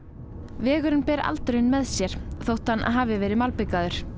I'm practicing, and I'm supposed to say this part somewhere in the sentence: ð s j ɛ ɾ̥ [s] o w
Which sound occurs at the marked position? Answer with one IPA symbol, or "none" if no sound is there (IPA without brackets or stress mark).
θ